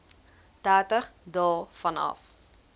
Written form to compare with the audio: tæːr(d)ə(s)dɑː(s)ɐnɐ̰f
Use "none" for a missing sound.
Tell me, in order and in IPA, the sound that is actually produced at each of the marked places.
t, χ, f

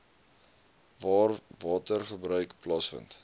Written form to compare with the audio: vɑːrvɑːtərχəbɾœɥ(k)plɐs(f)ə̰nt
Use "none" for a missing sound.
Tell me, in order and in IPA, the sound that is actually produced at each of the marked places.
k, f

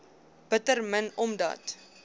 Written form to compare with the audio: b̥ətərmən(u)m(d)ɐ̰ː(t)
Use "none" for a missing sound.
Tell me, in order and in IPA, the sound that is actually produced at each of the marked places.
ɔ, d, t

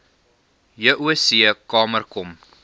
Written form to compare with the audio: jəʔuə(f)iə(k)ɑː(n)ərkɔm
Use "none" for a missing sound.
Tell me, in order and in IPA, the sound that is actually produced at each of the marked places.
s, k, m

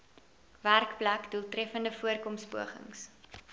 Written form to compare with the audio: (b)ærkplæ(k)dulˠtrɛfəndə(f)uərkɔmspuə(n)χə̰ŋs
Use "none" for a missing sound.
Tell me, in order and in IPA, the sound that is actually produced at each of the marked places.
v, k, f, none

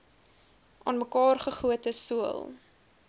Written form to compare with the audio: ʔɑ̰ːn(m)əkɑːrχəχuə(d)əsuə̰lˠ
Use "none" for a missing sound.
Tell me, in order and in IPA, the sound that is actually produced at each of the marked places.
m, t

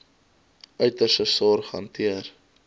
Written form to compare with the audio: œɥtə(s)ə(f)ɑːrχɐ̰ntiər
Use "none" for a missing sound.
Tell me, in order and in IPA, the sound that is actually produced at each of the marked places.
s, s

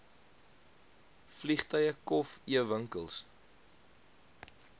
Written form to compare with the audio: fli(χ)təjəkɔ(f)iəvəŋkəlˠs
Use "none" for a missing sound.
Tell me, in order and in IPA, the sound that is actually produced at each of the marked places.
χ, f

